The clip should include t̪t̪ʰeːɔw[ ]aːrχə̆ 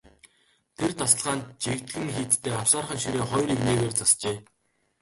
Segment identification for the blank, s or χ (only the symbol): s